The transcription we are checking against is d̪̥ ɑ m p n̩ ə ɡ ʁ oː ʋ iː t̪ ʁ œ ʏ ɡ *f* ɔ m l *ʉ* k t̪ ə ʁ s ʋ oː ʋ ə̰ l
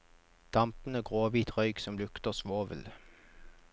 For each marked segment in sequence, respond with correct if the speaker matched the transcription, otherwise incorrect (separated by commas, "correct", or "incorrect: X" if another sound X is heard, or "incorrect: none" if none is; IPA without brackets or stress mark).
incorrect: s, correct